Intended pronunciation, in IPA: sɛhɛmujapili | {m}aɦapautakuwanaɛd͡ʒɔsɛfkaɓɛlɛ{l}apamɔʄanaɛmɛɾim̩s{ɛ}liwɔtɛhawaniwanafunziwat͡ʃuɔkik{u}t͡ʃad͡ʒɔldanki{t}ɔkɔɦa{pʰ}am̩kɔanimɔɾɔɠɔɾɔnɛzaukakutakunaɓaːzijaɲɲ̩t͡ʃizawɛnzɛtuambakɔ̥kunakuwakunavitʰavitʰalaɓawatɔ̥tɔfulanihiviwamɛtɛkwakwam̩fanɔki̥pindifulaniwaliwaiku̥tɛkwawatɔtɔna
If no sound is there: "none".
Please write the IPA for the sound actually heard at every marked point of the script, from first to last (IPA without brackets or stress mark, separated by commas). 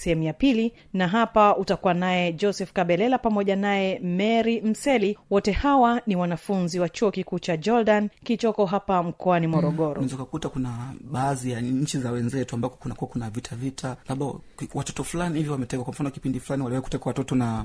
n, l, ɛ, uː, t͡ʃ, p